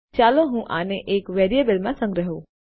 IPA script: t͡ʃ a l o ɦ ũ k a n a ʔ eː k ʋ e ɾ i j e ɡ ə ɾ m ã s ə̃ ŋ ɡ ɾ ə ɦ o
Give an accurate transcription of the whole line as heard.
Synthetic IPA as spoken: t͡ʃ a l o ɦ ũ ʔ a n e ʔ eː k ʋ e ɾ i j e b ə l m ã s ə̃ ŋ ɡ ɾ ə ɦ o